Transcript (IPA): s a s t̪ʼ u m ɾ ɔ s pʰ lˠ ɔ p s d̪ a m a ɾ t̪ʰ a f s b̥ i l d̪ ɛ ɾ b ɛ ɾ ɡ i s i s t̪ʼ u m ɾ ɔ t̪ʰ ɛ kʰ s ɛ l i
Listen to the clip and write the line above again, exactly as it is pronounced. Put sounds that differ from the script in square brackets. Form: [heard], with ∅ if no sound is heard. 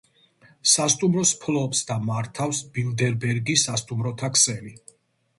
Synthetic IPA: s a s t̪ʼ u m ɾ ɔ s pʰ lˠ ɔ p s d̪ a m a ɾ t̪ʰ a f s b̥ i l d̪ ɛ ɾ b ɛ ɾ ɡ i s [a] s t̪ʼ u m ɾ ɔ t̪ʰ [a] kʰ s ɛ l i